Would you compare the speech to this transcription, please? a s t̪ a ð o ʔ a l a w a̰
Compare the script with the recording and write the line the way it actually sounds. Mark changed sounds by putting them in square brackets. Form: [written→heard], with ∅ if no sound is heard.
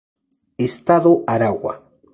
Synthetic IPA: [a→e] s t̪ a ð o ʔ a [l→ɾ] a w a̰